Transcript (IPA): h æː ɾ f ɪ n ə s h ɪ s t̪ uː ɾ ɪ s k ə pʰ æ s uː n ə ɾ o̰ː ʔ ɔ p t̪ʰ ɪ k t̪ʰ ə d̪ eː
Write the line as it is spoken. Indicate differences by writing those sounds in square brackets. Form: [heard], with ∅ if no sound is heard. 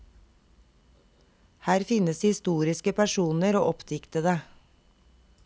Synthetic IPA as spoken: h æː ɾ f ɪ n ə s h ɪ s t̪ uː ɾ ɪ s k ə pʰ æ [ʃ] uː n ə ɾ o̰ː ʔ ɔ p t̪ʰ ɪ k [t̪] ə d̪ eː